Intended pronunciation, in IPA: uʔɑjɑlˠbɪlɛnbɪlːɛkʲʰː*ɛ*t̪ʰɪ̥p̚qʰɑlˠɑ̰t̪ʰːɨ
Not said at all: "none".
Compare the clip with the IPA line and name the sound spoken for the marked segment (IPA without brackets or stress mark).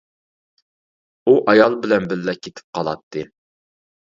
e